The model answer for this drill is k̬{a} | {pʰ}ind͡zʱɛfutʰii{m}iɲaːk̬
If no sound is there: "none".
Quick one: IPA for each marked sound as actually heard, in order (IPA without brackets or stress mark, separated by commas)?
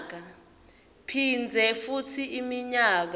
a, pʰ, m